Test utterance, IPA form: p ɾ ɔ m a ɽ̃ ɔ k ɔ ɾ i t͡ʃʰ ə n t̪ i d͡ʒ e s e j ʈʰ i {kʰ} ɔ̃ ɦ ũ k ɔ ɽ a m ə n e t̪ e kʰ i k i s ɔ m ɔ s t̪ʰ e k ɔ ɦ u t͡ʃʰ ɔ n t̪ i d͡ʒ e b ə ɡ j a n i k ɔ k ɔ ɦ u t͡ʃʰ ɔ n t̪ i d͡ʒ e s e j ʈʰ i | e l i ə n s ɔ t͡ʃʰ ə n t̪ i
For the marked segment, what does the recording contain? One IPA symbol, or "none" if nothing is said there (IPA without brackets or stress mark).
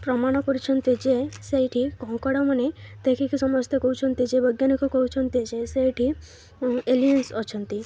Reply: k